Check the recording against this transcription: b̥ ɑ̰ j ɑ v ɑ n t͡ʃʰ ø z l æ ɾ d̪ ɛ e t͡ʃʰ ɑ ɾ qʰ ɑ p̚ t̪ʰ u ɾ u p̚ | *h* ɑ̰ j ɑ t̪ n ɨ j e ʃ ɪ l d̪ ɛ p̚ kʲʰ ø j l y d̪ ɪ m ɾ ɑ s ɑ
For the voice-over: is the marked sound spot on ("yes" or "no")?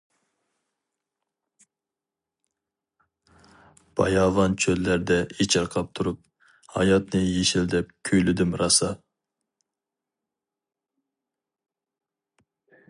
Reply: yes